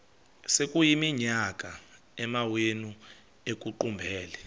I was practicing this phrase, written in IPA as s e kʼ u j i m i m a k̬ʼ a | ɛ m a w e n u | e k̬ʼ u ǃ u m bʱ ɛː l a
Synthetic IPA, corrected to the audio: s e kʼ u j i m i ɲ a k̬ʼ a | ɛ m a w e n u | e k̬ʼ u ǃ u m bʱ ɛː l ɛ